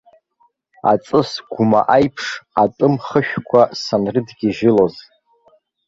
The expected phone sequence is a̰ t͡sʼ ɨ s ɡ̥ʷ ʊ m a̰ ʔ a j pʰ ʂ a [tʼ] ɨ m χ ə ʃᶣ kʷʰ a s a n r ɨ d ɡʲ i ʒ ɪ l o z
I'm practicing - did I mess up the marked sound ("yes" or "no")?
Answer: no